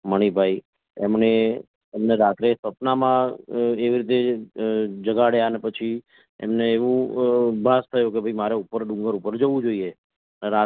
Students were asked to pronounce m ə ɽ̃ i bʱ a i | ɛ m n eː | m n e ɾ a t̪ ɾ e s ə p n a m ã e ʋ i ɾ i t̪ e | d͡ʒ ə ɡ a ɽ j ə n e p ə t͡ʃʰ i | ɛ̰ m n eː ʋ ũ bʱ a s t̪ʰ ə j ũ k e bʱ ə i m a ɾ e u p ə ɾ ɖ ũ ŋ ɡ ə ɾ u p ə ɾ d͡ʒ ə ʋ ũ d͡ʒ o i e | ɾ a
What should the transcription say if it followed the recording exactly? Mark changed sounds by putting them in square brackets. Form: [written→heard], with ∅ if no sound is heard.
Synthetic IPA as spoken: m ə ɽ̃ i bʱ a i | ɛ m n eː | m n e ɾ a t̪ ɾ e s ə p n a m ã e ʋ i ɾ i t̪ e | d͡ʒ ə ɡ a ɽ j [ə→a] n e p ə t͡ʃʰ i | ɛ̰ m n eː ʋ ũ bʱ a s t̪ʰ ə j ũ k e bʱ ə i m a ɾ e u p ə ɾ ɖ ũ ŋ ɡ ə ɾ u p ə ɾ d͡ʒ ə ʋ ũ d͡ʒ o i e | ɾ a